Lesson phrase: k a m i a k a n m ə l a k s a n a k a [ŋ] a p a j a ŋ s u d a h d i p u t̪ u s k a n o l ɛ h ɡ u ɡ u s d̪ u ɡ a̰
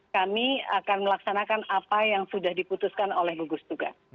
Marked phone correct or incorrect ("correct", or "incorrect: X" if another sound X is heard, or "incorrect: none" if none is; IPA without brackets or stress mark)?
incorrect: n